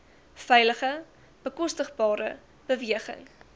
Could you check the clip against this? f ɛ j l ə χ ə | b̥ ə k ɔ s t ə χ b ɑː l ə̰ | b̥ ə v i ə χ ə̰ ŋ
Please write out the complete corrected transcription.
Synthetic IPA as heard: f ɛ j l ə χ ə | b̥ ə k ɔ s t ə χ b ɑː ɾ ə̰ | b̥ ə v i ə χ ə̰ ŋ